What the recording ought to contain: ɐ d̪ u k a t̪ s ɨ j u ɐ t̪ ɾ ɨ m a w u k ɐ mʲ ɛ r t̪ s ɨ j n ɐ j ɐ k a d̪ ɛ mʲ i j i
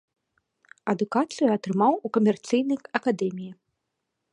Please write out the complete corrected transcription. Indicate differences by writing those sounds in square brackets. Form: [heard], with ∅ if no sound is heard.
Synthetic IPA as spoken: ɐ d̪ u k a t̪ s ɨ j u ɐ t̪ ɾ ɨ m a w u k ɐ mʲ ɛ r t̪ s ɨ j n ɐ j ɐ k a d̪ ɛ mʲ i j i